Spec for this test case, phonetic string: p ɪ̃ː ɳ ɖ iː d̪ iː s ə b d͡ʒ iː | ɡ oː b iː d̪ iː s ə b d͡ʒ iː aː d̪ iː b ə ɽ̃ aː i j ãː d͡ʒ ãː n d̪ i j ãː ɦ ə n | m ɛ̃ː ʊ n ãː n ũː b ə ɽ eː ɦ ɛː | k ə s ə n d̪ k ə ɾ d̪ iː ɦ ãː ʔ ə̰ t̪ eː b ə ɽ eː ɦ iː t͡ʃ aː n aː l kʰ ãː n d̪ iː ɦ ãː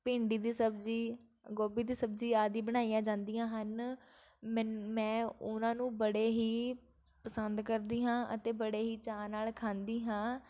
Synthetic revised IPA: p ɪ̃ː ɳ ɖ iː d̪ iː s ə b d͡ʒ iː | ɡ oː b iː d̪ iː s ə b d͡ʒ iː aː d̪ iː b ə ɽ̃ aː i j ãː d͡ʒ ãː n d̪ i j ãː ɦ ə n | m ɛ̃ː ʊ n ãː n ũː b ə ɽ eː ɦ iː | p ə s ə n d̪ k ə ɾ d̪ iː ɦ ãː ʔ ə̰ t̪ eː b ə ɽ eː ɦ iː t͡ʃ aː n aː l kʰ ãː n d̪ iː ɦ ãː